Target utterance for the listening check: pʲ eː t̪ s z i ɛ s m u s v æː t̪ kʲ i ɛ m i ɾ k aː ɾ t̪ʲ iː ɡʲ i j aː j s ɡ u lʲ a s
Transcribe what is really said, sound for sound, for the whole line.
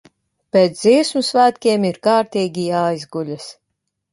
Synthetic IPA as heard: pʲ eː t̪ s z i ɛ s m u s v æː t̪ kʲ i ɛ m i ɾ k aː ɾ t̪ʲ iː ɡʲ i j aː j z ɡ u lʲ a s